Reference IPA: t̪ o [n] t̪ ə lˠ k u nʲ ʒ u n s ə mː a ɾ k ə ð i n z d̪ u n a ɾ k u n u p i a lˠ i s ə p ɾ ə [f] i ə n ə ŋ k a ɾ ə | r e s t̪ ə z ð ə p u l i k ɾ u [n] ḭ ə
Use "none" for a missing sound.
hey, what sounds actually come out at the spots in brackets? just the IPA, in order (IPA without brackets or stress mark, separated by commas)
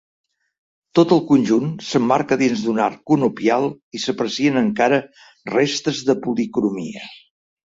none, s, m